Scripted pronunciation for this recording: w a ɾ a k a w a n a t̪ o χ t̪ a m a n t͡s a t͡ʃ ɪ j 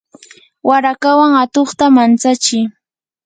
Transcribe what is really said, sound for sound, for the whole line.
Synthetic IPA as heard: w a ɾ a k a w a ŋ a t̪ o χ t̪ a m a n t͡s a t͡ʃ ɪ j